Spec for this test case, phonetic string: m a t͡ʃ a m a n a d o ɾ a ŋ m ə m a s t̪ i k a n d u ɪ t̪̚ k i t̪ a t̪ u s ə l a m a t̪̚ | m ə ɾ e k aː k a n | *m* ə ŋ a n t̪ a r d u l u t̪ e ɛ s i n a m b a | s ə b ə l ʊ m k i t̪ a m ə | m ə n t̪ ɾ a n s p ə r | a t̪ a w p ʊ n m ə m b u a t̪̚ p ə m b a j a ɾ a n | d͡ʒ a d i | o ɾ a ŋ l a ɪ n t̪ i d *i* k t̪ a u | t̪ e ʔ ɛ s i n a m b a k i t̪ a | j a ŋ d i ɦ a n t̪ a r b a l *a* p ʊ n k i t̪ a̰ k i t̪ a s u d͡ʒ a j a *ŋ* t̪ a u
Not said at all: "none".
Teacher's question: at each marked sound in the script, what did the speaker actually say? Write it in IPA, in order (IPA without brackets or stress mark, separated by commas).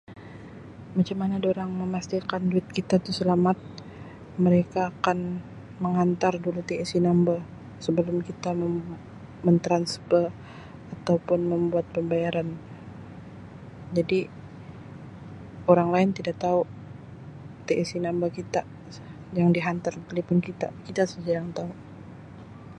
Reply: m, a, i, ŋ